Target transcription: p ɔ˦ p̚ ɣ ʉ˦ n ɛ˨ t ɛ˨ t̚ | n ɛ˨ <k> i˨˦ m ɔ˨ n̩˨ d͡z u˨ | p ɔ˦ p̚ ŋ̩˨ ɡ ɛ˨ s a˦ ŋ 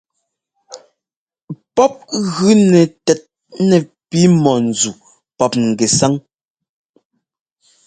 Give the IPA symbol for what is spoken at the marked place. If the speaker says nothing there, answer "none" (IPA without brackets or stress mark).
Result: p